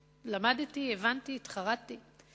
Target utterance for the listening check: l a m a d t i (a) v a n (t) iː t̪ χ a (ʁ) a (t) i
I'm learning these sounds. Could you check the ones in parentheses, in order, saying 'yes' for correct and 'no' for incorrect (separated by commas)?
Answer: no, yes, yes, yes